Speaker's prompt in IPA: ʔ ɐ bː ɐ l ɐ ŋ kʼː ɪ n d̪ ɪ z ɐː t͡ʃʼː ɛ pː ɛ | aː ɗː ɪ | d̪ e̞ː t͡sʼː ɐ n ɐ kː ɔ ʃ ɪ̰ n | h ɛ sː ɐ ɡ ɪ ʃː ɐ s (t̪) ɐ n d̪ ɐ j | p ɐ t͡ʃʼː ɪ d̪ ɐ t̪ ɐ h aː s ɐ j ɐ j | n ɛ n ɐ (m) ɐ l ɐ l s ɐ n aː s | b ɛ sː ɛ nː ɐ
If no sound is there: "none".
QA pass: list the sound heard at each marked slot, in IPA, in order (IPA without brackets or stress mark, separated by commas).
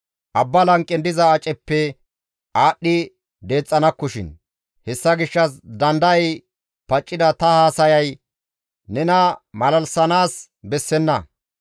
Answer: d̪, m